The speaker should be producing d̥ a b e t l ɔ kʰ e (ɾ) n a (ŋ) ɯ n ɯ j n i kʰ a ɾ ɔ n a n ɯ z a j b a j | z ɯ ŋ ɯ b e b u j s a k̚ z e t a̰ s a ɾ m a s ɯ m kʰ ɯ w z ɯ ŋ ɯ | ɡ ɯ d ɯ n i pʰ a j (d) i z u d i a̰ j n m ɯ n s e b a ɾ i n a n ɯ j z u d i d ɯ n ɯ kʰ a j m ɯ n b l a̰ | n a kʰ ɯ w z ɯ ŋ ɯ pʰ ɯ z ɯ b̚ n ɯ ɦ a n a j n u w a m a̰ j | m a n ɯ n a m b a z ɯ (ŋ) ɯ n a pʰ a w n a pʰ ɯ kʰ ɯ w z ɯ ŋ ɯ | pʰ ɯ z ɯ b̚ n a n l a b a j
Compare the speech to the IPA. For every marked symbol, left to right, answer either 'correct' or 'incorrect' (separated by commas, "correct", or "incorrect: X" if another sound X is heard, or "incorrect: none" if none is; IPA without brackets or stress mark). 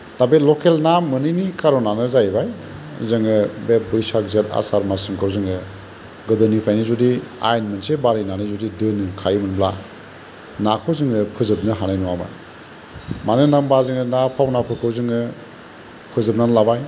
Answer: incorrect: l, incorrect: m, incorrect: n, correct